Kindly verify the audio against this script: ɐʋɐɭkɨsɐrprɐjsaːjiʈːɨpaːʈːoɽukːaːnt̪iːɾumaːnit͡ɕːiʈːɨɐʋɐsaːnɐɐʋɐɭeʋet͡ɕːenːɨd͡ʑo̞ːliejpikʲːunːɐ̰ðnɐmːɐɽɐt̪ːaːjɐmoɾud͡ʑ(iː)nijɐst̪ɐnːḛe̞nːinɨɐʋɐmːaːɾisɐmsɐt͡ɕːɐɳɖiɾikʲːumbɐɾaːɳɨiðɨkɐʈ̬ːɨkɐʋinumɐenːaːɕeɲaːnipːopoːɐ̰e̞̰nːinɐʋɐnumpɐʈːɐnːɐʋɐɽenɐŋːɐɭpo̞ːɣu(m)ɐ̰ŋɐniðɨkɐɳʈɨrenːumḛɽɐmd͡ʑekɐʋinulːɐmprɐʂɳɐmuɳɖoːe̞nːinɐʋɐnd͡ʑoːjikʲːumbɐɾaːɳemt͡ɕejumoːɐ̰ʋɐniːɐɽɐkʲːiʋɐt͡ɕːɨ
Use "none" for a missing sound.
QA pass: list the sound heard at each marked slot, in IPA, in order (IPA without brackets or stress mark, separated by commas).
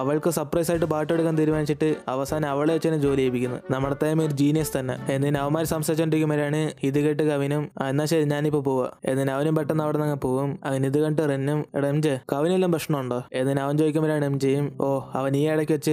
iː, m